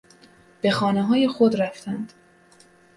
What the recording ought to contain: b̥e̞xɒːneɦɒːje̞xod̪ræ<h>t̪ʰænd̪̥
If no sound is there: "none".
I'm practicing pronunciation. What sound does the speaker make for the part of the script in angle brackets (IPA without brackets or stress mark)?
f